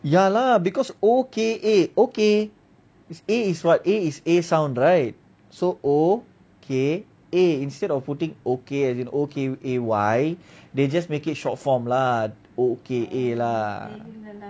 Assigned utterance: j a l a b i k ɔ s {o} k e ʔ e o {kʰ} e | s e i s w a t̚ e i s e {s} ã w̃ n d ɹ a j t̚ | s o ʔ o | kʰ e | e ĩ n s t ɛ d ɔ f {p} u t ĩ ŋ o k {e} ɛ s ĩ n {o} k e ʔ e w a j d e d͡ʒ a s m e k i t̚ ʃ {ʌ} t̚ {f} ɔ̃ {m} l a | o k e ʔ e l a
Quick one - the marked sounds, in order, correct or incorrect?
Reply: correct, incorrect, correct, correct, correct, correct, incorrect, correct, correct

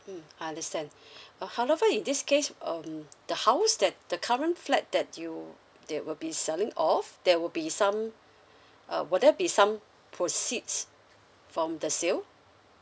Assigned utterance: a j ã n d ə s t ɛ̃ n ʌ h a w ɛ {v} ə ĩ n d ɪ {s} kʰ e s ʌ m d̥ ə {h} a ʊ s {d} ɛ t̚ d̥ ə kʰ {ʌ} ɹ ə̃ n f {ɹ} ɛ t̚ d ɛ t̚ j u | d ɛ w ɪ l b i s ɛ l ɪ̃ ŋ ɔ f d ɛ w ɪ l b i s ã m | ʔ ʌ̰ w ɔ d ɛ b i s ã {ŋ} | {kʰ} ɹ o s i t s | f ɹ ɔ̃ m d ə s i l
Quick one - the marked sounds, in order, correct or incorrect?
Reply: correct, correct, correct, correct, incorrect, incorrect, incorrect, incorrect

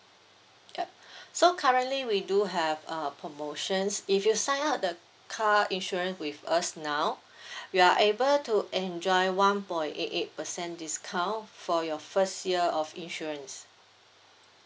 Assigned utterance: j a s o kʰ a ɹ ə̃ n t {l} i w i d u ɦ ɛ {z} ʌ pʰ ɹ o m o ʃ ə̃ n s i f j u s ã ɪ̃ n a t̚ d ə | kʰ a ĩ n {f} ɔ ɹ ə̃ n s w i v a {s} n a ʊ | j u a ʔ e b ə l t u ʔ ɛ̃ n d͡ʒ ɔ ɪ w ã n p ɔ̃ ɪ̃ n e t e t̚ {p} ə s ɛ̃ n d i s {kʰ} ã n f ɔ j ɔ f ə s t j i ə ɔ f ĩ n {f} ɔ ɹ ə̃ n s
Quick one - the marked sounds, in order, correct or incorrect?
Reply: correct, incorrect, incorrect, correct, correct, correct, incorrect

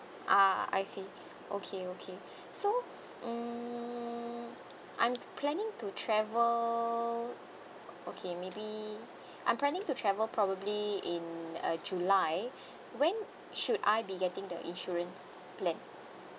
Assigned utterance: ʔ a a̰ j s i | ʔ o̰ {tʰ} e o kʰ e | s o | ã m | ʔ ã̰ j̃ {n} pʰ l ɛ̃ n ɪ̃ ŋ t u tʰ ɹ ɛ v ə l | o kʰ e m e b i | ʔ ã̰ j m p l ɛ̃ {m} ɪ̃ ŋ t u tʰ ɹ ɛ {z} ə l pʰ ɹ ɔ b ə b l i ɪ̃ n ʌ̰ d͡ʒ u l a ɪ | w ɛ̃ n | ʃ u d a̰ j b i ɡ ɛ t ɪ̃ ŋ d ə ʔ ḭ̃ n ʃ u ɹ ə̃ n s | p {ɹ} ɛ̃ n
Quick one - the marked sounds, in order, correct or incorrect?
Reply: incorrect, incorrect, incorrect, incorrect, incorrect

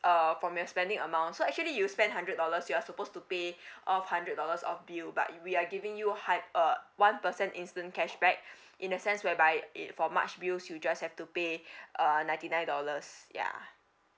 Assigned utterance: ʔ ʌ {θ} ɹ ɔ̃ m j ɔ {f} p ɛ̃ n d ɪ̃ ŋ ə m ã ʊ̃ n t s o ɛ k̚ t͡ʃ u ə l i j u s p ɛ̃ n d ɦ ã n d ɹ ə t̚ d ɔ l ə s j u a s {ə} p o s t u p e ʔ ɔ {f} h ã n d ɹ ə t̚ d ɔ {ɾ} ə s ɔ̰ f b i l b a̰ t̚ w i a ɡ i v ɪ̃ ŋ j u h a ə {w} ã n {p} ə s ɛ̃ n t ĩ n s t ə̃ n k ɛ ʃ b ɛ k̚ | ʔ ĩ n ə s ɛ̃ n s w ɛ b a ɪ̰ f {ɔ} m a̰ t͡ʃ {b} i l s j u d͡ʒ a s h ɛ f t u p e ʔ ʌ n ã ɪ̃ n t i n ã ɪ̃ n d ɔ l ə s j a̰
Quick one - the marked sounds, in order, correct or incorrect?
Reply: incorrect, incorrect, correct, correct, incorrect, correct, correct, correct, correct

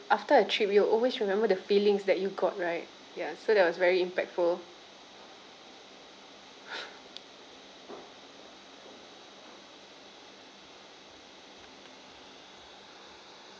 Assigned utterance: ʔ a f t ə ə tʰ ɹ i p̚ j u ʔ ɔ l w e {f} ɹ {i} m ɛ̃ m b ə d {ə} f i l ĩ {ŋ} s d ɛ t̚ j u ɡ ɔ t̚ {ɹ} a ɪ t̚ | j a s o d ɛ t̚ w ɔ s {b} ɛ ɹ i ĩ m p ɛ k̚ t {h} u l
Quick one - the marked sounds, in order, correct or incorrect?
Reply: incorrect, correct, correct, correct, correct, incorrect, incorrect

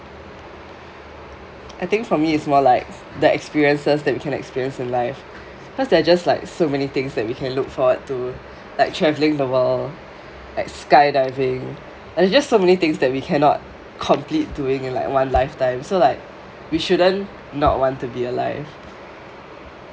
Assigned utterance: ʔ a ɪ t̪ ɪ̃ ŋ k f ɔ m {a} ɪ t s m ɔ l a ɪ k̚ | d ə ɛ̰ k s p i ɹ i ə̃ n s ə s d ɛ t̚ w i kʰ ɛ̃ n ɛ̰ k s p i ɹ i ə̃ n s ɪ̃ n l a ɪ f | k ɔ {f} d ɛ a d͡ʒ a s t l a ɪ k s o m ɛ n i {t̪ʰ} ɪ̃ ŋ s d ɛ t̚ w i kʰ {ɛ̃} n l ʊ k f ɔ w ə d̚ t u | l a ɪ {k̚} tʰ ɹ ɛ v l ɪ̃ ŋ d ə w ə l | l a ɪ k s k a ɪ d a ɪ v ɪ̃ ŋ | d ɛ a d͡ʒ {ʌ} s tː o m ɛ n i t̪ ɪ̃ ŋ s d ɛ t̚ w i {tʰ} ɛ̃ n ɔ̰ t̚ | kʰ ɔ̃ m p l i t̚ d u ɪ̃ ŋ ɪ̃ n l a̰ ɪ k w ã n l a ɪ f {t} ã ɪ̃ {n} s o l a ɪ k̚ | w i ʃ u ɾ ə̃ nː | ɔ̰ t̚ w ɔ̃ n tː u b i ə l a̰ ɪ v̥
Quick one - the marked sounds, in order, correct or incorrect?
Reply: incorrect, incorrect, incorrect, correct, correct, incorrect, incorrect, correct, incorrect

